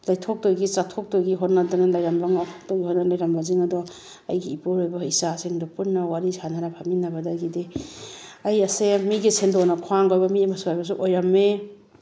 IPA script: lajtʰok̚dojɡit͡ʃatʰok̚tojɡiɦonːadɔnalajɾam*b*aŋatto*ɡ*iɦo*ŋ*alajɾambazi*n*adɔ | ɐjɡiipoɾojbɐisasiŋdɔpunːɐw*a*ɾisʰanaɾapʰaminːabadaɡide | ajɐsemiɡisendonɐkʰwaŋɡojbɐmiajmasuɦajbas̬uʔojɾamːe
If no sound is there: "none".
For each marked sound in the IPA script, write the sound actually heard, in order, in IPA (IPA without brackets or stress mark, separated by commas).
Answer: b, ɡ, n, ŋ, a